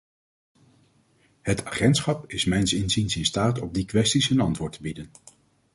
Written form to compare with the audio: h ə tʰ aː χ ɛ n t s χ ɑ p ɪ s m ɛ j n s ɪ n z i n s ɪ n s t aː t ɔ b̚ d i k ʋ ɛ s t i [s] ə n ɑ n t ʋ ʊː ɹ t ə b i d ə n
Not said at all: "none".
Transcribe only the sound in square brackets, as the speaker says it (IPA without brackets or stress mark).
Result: s